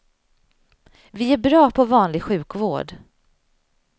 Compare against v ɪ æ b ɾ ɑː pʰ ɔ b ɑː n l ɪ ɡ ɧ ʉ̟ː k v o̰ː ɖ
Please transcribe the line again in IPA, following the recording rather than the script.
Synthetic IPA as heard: v ɪ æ b ɾ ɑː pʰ ɔ v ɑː n l ɪ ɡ ɧ ʉ̟ː k v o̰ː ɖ